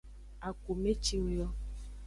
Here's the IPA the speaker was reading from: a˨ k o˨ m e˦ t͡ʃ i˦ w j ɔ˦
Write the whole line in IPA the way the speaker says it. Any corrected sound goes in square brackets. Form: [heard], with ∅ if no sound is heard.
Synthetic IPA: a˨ k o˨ m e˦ t͡ʃ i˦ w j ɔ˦